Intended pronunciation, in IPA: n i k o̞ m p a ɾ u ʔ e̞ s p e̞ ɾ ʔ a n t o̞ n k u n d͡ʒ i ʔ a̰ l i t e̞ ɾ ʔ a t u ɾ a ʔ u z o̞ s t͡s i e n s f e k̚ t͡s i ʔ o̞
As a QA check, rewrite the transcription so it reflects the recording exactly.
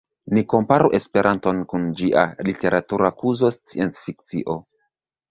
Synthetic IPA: n i k o̞ m p a ɾ u ʔ e̞ s p e̞ ɾ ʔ a n t o̞ n k u n d͡ʒ i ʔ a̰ l i t e̞ ɾ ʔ a t u ɾ a k u z o̞ s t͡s i e n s f i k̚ t͡s i ʔ o̞